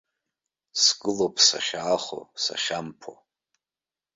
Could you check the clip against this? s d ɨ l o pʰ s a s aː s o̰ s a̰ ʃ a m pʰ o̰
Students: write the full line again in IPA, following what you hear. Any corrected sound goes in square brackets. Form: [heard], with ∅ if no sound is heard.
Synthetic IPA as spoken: s [ɡ] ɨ l o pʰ s a [ʃ] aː [χ] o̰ s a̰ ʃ a m pʰ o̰